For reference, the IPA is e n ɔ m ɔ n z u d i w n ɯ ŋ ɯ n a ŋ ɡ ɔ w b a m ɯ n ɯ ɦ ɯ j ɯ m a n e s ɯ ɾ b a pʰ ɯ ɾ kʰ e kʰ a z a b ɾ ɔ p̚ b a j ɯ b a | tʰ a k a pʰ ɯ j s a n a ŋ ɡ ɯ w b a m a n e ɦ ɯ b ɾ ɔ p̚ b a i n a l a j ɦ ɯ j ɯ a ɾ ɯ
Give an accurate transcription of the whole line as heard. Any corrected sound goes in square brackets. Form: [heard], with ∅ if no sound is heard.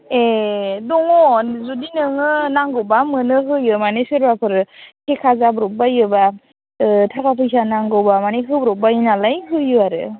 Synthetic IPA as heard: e [d] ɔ [ŋ] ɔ n z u d i [∅] n ɯ ŋ ɯ n a ŋ ɡ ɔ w b a m ɯ n ɯ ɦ ɯ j ɯ m a n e s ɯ ɾ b a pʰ ɯ ɾ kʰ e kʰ a z a b ɾ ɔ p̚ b a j ɯ b a | tʰ a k a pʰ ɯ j s a n a ŋ ɡ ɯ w b a m a n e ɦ ɯ b ɾ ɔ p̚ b a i n a l a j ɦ ɯ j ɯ a ɾ ɯ